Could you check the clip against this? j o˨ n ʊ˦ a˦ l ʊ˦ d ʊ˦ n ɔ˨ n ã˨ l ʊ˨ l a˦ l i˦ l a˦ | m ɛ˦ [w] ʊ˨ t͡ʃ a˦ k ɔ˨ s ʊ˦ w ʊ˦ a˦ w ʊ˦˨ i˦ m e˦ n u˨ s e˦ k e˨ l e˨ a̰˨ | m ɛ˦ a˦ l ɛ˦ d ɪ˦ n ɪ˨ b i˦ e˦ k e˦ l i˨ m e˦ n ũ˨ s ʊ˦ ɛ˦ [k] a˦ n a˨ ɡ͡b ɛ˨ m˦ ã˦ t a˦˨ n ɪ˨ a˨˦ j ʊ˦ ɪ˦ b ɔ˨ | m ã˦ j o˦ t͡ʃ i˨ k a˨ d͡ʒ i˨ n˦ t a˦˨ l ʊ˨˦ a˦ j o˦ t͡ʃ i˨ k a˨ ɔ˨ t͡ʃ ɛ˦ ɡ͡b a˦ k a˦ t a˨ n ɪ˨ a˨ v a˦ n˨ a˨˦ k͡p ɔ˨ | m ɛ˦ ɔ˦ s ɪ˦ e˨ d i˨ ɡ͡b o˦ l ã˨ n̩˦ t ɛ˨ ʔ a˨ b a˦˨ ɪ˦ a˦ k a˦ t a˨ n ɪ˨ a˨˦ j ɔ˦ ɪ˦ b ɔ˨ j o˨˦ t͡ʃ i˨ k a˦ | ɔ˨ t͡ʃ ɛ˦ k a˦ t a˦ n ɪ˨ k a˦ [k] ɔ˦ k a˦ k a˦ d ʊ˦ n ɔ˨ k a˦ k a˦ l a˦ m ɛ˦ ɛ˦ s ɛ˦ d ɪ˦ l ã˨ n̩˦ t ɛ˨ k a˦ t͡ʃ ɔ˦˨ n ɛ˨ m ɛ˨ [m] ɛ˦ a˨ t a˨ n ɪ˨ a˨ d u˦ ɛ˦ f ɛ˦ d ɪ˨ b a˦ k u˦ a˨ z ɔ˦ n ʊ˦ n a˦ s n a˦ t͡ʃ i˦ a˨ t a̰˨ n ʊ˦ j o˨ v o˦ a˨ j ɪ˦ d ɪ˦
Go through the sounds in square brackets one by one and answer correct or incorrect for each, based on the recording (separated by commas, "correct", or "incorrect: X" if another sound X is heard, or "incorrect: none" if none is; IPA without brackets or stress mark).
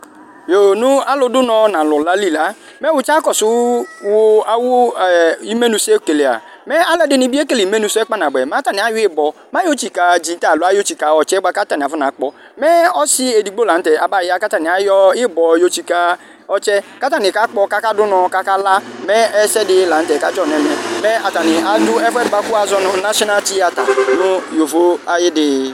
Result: correct, incorrect: k͡p, incorrect: k͡p, correct